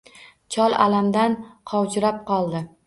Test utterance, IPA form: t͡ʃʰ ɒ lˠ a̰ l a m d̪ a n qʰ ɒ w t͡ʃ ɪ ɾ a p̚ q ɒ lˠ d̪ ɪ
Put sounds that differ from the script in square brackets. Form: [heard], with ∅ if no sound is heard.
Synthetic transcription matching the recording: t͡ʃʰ ɒ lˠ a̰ l a m d̪ a n qʰ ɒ w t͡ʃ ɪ ɾ a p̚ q ɒ lˠ d̪ ɪ